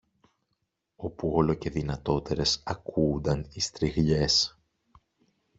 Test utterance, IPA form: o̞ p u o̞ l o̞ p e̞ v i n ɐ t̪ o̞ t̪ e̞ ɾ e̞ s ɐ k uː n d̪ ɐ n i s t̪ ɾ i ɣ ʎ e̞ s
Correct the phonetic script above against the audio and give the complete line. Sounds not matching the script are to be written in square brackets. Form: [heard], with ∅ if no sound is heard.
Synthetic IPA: o̞ p u o̞ l o̞ [c] e̞ [ð] i n ɐ t̪ o̞ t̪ e̞ ɾ e̞ s ɐ k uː n d̪ ɐ n i s t̪ ɾ i ɣ ʎ e̞ s